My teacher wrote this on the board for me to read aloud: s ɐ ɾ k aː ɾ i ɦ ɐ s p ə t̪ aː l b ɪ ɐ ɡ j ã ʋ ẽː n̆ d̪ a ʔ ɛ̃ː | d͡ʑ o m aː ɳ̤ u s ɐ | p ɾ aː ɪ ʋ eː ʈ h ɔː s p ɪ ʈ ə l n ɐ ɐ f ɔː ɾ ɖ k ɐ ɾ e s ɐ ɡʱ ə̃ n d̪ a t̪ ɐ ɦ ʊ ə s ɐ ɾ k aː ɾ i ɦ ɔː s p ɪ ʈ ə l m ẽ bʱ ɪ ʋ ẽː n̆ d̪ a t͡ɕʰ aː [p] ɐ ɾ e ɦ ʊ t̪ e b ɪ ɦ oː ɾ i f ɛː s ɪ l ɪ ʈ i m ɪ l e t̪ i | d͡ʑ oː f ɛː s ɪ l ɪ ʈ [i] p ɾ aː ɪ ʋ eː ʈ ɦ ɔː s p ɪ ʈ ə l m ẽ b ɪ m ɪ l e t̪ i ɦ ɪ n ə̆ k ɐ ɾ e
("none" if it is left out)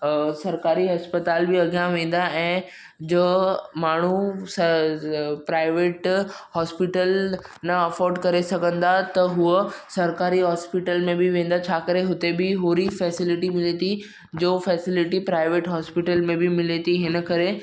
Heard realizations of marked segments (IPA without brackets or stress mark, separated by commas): k, i